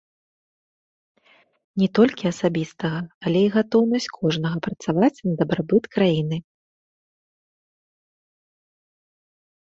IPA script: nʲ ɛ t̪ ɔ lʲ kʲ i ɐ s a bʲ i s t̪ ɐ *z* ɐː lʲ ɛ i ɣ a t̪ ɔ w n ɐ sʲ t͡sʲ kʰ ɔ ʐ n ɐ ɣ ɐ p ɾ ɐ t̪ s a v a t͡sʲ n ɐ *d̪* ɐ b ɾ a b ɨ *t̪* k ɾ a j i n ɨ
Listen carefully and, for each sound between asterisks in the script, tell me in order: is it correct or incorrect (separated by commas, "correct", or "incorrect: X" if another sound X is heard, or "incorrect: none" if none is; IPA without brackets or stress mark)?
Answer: incorrect: ɣ, correct, correct